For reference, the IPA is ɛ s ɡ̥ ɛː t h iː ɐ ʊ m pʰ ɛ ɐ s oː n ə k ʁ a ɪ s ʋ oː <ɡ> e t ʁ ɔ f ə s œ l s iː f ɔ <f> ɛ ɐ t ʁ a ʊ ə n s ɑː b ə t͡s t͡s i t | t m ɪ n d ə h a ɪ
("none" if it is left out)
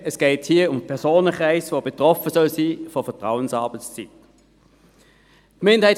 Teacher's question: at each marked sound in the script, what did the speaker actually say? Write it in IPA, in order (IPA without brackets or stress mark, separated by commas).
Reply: b, f